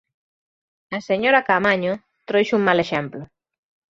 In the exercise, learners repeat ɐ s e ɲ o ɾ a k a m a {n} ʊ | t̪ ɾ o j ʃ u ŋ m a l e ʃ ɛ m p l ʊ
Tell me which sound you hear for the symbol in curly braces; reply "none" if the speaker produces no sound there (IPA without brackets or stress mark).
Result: ɲ